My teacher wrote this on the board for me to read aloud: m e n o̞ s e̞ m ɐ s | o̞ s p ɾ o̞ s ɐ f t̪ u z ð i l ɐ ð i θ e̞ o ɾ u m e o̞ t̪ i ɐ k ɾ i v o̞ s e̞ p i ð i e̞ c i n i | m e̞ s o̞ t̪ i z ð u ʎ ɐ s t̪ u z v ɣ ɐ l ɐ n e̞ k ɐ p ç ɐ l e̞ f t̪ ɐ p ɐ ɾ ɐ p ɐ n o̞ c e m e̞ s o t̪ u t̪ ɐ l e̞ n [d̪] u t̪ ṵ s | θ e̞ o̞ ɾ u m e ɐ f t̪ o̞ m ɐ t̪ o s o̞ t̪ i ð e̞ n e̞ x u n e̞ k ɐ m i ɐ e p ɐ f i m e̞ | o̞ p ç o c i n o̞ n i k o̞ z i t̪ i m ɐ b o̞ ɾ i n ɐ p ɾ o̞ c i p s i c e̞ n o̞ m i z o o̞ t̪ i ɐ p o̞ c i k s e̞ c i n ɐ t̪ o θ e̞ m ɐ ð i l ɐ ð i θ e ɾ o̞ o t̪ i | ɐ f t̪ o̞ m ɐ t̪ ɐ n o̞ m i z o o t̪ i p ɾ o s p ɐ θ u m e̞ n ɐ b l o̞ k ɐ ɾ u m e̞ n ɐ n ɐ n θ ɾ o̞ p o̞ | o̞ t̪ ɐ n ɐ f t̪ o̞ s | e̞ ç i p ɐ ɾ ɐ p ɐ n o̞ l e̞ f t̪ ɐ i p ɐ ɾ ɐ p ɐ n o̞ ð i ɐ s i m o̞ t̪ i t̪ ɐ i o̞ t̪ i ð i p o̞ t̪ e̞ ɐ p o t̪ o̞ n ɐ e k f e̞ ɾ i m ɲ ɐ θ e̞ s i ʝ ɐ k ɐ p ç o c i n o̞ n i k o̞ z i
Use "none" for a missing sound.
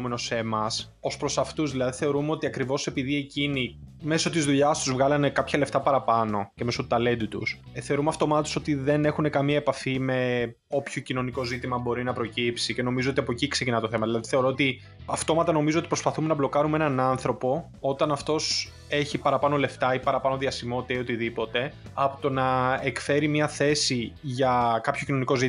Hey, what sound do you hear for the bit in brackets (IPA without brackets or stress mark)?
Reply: d̪